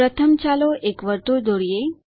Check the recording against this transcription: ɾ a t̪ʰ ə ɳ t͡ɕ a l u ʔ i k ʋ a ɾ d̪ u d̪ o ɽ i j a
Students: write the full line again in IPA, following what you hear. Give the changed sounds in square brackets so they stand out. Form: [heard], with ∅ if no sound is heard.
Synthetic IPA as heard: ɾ [ə] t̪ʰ ə [m] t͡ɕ a l [o] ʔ [e] k ʋ [ə] ɾ [t̪] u d̪ o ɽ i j [e]